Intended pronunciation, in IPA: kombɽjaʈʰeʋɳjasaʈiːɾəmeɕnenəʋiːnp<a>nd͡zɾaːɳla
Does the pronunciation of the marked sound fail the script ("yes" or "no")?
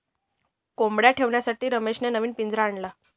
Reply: yes